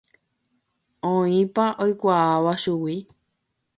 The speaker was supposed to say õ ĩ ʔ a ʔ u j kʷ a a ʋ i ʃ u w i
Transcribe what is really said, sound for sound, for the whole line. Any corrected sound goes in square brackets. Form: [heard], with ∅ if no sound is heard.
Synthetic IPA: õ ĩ [p] a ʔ [o] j kʷ a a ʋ [a] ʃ u w i